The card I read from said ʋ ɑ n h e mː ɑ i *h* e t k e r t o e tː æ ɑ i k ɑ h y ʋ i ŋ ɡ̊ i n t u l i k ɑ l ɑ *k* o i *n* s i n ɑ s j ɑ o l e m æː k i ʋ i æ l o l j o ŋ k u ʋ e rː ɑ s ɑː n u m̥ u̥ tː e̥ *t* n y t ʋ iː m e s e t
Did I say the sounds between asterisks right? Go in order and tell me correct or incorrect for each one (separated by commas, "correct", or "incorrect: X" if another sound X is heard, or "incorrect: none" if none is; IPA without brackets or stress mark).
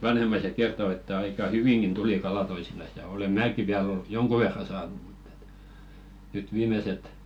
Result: incorrect: s, incorrect: t, incorrect: none, correct